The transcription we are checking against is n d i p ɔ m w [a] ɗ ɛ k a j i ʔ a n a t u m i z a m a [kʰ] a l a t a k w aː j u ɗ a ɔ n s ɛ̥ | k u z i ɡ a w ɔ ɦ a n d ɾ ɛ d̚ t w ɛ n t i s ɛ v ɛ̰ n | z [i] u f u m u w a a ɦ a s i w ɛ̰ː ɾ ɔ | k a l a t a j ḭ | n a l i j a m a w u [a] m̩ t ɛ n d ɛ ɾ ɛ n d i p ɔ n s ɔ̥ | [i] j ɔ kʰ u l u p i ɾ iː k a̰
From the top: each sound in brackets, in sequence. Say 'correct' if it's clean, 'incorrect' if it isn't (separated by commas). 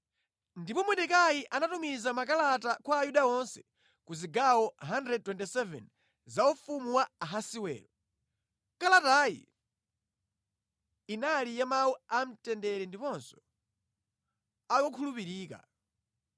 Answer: incorrect, incorrect, incorrect, correct, incorrect